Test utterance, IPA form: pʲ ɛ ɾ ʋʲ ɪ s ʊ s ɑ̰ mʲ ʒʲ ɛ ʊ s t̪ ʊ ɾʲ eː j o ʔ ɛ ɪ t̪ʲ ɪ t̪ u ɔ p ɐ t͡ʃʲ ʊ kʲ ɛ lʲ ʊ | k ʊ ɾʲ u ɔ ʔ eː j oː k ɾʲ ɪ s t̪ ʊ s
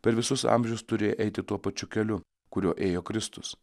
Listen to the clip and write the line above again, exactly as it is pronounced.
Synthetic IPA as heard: pʲ ɛ ɾ ʋʲ ɪ s ʊ s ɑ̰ mʲ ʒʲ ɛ ʊ s t̪ ʊ ɾʲ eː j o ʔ ɛ ɪ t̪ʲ ɪ t̪ u ɔ p ɐ t͡ʃʲ ʊ kʲ ɛ lʲ ʊ | k ʊ ɾʲ u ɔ ʔ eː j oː k ɾʲ ɪ s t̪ ʊ s